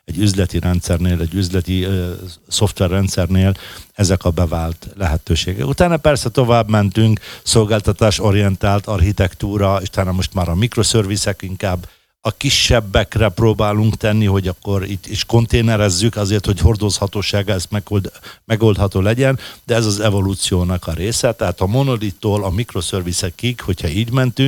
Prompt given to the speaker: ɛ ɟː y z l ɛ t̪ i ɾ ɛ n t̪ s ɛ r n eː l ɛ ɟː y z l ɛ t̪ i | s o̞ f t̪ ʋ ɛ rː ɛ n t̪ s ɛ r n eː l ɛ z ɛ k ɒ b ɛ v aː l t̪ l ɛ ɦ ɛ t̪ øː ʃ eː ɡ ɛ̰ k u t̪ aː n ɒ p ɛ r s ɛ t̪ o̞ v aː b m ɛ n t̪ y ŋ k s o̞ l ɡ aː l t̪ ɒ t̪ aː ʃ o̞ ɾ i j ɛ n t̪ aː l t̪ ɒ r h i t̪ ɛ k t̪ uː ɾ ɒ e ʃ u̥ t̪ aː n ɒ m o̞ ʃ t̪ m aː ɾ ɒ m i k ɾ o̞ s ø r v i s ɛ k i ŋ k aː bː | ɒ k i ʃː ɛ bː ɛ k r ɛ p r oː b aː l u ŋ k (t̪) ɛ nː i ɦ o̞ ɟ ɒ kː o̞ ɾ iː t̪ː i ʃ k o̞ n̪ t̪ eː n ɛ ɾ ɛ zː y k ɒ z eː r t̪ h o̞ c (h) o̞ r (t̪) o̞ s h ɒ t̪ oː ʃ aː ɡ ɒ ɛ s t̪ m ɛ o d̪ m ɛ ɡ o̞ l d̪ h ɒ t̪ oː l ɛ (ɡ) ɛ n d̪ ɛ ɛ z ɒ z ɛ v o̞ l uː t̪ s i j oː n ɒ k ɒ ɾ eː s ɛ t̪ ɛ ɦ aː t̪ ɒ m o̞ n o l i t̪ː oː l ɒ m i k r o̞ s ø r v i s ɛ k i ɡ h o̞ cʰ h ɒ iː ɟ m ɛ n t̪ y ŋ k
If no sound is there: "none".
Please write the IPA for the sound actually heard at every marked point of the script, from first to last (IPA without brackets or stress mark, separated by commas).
t̪, h, d̪, ɟ